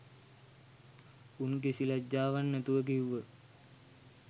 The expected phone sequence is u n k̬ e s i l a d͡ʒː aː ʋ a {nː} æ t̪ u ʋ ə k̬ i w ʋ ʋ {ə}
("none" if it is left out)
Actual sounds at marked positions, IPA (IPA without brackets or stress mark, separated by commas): nː, ə